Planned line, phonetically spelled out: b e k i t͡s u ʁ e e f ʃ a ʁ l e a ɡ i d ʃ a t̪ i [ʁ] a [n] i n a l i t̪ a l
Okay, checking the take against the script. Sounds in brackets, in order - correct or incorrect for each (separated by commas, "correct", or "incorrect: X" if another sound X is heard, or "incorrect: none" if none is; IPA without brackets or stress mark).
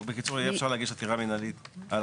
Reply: correct, incorrect: m